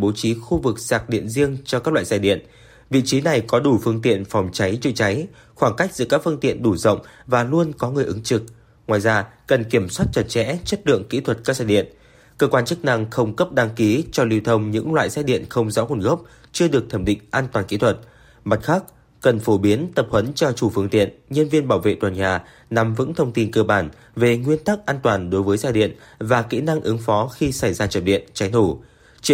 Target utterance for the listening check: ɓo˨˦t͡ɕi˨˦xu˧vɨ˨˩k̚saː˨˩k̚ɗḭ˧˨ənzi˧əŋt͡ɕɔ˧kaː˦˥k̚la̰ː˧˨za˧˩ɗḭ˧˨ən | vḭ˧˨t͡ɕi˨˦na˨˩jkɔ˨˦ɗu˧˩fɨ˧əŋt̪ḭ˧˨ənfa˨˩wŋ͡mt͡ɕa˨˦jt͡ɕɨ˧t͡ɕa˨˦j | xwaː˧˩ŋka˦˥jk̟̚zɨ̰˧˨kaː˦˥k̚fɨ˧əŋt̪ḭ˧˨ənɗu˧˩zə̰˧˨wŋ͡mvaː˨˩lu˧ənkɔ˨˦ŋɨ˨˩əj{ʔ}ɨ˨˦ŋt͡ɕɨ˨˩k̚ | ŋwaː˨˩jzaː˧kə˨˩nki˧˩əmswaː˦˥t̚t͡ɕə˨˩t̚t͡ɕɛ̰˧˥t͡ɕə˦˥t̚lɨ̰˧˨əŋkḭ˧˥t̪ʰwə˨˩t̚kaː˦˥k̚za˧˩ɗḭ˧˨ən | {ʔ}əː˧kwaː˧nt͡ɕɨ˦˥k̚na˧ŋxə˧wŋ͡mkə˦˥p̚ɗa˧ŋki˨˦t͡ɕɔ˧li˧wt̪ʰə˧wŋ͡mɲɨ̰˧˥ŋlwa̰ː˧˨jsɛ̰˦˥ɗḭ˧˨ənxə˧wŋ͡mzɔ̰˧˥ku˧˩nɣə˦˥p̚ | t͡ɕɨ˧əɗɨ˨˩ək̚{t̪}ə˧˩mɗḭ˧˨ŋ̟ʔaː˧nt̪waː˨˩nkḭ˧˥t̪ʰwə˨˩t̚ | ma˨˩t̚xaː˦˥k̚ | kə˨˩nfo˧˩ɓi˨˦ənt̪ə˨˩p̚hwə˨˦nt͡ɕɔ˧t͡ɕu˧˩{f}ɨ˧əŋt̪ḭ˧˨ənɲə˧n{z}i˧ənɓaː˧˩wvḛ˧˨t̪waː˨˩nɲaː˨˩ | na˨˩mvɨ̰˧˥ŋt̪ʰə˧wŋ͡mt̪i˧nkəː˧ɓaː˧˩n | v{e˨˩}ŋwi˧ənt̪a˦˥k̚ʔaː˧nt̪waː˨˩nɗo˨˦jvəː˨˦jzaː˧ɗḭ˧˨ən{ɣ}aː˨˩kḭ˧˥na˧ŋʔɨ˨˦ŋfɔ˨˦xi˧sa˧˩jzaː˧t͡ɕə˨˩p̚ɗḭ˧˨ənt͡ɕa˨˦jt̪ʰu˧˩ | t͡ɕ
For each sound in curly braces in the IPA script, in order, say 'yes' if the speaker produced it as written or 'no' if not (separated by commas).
yes, no, no, yes, no, yes, no